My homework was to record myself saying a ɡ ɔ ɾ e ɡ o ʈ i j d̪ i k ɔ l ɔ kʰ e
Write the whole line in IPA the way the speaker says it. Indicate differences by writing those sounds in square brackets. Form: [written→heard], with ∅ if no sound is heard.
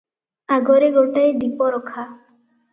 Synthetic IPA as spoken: a ɡ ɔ ɾ e ɡ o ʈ [i→a] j d̪ i [k→p] ɔ [l→ɾ] ɔ kʰ [e→a]